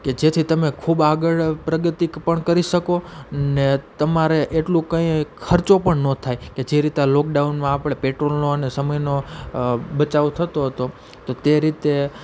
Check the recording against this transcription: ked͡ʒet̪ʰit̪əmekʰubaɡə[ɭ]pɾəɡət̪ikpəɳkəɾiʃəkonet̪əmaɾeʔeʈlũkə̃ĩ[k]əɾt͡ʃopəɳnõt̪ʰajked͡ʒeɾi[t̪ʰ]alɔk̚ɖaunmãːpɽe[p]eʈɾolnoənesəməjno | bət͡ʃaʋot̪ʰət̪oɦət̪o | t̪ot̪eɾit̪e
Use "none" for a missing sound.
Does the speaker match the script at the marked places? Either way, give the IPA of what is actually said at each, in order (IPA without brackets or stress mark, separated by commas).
ɭ, kʰ, t̪, p